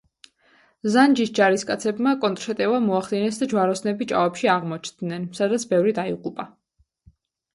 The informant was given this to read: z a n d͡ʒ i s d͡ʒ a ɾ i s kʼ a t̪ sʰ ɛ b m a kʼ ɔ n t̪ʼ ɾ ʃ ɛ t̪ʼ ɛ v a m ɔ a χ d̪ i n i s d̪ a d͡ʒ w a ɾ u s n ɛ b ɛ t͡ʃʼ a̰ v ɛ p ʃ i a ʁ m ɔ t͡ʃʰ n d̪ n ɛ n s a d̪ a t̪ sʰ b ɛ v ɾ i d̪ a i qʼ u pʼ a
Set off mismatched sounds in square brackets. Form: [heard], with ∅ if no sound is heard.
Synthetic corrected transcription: z a n d͡ʒ i s d͡ʒ a ɾ i s kʼ a t̪ sʰ ɛ b m a kʼ ɔ n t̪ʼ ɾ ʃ ɛ t̪ʼ ɛ v a m ɔ a χ d̪ i n [ɛ] s d̪ a d͡ʒ w a ɾ [ɔ] s n ɛ b [i] t͡ʃʼ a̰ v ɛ p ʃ i a ʁ m ɔ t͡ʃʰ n d̪ n ɛ n s a d̪ a t̪ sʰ b ɛ v ɾ i d̪ a i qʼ u pʼ a